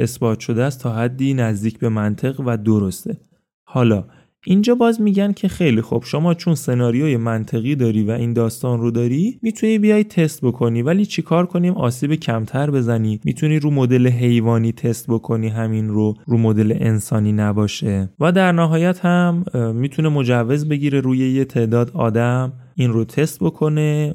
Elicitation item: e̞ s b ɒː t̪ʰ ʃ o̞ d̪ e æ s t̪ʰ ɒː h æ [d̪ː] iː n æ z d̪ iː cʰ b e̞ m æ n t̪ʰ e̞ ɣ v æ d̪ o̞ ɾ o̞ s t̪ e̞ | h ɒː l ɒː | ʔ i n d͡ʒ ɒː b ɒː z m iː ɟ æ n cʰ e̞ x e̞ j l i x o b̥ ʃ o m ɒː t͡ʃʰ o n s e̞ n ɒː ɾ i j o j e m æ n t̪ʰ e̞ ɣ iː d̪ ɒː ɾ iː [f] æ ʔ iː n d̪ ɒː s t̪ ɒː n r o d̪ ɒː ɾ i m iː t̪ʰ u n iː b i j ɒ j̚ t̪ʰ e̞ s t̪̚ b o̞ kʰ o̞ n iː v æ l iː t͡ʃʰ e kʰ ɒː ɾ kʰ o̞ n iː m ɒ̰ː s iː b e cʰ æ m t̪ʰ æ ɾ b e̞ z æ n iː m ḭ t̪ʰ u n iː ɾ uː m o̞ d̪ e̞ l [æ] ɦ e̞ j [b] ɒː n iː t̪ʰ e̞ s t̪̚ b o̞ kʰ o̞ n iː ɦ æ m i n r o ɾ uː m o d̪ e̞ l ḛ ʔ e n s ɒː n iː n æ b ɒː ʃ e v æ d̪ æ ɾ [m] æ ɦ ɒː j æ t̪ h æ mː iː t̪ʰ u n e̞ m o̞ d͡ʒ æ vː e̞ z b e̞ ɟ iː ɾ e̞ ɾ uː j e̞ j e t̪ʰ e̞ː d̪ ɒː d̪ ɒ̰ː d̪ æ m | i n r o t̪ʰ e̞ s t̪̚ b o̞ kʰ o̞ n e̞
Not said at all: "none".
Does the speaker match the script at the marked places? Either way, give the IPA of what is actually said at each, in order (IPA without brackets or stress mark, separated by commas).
d̪ː, v, e, v, n